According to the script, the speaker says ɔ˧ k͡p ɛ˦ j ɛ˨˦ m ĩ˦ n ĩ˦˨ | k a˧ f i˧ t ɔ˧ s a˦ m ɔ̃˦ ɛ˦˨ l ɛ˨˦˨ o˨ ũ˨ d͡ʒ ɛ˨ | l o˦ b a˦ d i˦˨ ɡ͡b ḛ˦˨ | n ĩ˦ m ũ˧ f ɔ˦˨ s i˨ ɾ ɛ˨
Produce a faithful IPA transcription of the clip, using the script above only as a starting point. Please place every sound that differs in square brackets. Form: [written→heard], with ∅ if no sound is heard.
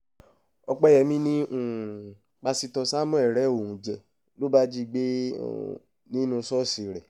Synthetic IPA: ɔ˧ k͡p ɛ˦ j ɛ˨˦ m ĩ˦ n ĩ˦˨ | [k→k͡p] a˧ [f→s] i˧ t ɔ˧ s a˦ m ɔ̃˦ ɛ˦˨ [l→ɾ] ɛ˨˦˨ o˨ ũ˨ d͡ʒ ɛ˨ | l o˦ b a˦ [d→d͡ʒ] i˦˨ ɡ͡b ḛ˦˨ | n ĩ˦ [m→n] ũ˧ [f→s] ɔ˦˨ s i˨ ɾ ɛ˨